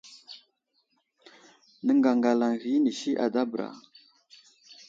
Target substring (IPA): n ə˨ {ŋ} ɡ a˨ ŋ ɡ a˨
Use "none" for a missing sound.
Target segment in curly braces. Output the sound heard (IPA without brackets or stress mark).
ŋ